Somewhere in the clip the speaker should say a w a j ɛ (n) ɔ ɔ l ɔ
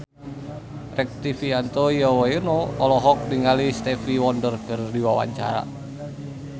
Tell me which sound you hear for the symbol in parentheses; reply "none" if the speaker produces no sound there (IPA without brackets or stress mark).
n